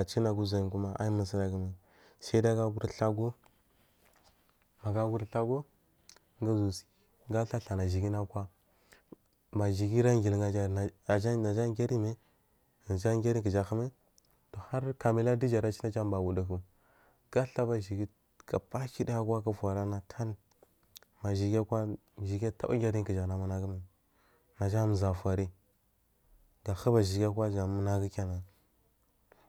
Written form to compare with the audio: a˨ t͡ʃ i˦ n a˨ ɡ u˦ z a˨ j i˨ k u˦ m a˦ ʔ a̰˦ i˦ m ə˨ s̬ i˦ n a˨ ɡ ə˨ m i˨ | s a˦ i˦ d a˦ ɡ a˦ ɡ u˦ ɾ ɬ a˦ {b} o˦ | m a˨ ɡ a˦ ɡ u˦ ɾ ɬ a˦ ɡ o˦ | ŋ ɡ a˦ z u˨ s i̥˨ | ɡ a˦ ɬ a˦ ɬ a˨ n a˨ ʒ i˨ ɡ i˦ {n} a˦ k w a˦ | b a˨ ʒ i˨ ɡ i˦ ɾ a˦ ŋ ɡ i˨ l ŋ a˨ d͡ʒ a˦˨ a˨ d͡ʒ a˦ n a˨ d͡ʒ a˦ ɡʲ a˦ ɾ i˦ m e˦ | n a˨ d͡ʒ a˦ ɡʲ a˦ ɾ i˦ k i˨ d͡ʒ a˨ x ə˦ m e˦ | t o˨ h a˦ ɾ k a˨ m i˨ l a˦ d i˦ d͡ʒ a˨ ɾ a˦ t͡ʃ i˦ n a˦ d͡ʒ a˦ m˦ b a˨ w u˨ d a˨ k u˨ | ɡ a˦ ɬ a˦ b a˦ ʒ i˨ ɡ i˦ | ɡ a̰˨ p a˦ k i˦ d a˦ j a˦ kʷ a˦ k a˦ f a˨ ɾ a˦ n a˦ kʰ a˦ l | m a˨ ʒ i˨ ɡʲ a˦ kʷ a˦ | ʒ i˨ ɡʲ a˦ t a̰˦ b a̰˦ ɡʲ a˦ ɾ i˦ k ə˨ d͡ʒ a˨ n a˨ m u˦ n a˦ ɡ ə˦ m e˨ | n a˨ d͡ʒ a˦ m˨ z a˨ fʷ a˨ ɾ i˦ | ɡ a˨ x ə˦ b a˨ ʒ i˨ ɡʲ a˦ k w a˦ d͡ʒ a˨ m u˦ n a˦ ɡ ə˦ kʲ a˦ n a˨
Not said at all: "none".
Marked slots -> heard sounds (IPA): ɡ, n

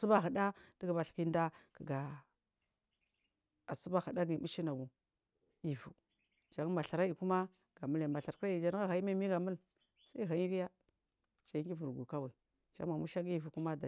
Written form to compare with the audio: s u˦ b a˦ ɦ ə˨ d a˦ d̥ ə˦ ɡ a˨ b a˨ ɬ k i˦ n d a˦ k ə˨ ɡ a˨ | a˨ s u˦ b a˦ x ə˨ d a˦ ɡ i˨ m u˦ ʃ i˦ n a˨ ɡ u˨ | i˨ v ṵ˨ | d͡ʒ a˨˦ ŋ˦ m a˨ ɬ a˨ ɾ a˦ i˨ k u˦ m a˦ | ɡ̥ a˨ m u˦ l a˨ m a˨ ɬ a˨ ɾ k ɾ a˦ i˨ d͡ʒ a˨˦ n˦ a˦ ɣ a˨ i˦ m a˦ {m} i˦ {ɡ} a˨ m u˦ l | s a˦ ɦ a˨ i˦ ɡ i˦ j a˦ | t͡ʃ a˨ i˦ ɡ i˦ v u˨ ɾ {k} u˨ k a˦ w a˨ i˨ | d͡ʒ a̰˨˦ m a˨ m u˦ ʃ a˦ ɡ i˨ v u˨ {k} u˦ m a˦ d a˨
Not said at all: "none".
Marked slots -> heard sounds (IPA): m, ɡ, ɡ, k

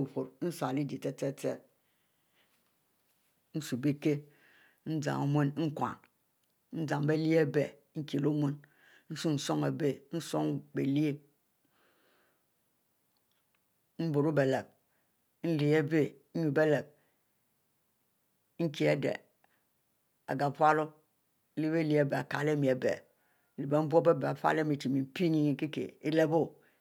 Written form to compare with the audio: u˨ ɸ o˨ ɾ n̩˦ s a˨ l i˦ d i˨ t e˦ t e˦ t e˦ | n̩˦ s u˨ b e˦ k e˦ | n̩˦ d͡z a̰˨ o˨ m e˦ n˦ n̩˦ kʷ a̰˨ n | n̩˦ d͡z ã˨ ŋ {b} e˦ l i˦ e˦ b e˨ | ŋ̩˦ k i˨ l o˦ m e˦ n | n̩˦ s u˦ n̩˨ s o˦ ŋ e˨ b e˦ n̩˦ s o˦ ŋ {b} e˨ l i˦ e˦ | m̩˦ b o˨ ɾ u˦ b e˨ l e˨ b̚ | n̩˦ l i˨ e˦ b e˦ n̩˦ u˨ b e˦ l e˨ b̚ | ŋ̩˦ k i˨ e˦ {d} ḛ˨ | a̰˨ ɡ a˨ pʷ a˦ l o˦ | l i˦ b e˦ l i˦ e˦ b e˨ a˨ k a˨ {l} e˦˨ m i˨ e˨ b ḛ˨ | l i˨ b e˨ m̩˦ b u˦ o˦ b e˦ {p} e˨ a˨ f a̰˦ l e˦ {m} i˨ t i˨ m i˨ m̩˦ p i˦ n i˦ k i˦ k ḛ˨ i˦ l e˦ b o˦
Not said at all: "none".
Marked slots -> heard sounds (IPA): b, b, d, l, b, m

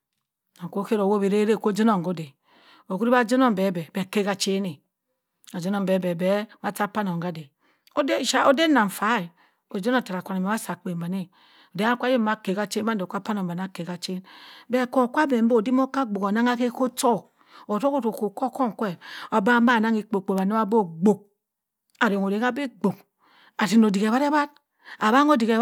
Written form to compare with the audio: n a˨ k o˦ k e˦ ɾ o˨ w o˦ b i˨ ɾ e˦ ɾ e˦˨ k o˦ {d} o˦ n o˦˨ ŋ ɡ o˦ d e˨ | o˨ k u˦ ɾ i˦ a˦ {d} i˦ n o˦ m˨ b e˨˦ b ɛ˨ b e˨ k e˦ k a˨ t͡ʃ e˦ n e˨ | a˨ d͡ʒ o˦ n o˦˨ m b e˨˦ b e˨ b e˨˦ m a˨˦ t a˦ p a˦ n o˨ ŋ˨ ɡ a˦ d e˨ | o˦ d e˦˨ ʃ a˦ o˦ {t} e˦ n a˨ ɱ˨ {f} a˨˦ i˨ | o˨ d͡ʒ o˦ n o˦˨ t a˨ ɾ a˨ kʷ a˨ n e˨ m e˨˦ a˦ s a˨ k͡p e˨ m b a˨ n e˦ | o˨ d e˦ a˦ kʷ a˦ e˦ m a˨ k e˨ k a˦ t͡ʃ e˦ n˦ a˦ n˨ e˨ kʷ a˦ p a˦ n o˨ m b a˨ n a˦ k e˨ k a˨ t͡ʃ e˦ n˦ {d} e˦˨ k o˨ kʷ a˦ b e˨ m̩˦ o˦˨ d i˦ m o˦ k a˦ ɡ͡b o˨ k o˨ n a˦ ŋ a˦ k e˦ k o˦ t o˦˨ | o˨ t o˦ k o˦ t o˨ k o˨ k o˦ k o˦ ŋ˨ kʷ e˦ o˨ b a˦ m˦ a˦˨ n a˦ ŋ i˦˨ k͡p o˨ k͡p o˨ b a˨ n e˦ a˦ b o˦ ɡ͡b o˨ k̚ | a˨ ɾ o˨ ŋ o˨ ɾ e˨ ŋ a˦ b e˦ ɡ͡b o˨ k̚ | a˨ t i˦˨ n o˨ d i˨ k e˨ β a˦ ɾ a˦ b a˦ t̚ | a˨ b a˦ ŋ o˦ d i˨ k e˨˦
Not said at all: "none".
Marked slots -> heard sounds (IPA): d͡ʒ, d͡ʒ, d, f, b

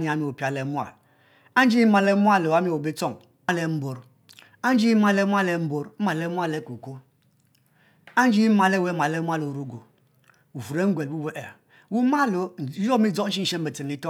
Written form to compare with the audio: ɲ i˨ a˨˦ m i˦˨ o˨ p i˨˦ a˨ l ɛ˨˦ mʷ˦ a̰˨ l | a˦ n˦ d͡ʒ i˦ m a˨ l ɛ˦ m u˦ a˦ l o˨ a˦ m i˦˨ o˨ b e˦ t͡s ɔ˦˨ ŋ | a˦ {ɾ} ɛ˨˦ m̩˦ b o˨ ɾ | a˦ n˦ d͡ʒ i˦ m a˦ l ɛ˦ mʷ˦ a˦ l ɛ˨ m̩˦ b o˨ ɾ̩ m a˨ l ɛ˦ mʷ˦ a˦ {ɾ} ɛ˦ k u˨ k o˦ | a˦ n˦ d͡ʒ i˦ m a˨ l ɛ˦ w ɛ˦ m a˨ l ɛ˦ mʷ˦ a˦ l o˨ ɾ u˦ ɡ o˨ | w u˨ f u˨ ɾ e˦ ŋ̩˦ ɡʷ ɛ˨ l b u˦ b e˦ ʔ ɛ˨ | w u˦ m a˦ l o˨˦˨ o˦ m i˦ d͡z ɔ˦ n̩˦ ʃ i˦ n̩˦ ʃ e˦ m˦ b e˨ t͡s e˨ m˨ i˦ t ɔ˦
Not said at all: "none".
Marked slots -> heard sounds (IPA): l, l

